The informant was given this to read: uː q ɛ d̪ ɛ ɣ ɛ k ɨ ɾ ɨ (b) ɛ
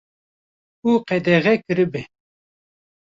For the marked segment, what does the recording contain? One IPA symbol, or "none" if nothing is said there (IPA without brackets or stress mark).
b